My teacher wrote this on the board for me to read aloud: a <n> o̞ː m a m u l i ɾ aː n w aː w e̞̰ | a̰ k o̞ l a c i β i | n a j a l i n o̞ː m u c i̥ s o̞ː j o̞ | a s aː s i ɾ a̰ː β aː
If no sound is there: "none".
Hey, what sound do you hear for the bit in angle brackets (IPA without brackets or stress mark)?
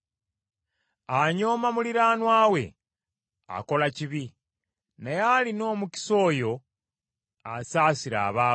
ɲ